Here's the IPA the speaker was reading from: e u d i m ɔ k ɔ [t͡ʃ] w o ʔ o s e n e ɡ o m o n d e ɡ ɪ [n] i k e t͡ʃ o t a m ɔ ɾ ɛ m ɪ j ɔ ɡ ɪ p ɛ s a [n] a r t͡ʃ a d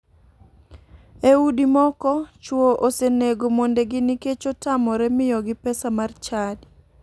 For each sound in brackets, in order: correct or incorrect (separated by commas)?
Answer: correct, correct, incorrect